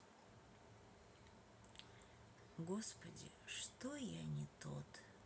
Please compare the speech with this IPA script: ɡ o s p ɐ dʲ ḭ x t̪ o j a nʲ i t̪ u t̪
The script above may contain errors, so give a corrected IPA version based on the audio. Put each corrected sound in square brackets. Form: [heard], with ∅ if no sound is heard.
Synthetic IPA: ɡ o s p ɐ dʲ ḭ [ʂ] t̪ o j a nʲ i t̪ [o] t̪